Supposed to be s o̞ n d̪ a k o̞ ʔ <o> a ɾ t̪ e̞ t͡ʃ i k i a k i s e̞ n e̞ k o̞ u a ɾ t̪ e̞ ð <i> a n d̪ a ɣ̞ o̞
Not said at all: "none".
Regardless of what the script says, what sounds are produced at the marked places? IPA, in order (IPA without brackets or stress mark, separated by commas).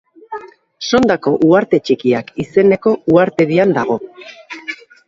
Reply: u, i